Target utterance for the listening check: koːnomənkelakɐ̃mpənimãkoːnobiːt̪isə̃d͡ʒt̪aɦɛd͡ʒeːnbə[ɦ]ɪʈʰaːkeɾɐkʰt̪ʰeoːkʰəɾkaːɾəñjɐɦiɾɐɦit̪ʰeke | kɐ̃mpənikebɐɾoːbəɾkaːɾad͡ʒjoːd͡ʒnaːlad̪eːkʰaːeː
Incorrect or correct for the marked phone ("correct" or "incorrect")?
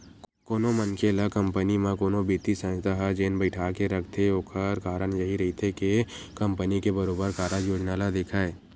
incorrect